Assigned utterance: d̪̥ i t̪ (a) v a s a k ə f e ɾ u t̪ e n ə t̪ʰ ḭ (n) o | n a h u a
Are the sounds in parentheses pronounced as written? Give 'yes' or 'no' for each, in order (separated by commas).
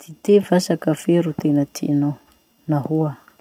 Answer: no, yes